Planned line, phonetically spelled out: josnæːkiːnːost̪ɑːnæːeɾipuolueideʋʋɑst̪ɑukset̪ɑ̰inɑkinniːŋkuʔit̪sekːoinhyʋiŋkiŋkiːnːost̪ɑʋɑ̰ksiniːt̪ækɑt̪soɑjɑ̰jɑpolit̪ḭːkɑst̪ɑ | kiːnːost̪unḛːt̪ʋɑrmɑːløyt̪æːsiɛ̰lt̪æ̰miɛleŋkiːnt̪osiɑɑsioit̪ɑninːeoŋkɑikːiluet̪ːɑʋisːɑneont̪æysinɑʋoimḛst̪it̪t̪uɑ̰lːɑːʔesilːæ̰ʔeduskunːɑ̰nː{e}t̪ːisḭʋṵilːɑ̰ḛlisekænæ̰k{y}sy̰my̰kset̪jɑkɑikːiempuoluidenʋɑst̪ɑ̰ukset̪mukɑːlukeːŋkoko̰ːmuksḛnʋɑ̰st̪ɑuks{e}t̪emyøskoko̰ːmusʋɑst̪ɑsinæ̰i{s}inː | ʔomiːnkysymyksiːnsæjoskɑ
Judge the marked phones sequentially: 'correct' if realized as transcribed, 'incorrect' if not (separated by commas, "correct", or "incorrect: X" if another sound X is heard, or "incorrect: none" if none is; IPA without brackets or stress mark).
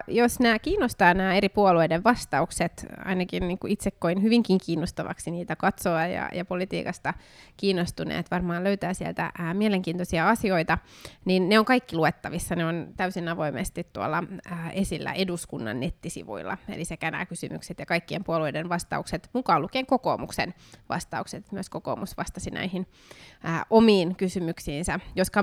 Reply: correct, correct, correct, incorrect: h